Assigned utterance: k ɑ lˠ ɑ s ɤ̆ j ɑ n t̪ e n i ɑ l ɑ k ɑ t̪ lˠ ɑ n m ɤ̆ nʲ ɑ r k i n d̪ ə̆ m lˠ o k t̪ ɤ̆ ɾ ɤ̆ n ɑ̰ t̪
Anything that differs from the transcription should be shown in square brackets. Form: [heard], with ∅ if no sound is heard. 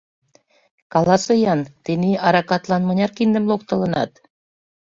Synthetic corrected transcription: k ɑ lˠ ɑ s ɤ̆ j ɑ n t̪ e n i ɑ [ɾ] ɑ k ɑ t̪ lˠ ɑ n m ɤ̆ nʲ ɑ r k i n d̪ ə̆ m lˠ o k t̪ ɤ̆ [l] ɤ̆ n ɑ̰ t̪